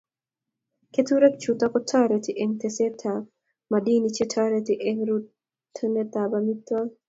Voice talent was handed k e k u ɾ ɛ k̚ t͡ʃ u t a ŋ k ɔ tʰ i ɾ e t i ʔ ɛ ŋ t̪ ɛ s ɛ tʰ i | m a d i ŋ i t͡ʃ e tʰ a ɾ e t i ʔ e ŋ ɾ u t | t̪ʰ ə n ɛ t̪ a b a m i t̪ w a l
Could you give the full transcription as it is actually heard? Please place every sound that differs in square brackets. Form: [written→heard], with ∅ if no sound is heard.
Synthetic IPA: k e [k→t] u ɾ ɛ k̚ t͡ʃ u t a [ŋ→∅] k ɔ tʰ [i→a] ɾ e t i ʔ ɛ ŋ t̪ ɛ s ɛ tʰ [i→a] | m a d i [ŋ→n] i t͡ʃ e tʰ a ɾ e t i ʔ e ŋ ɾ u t | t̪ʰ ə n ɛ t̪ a b a m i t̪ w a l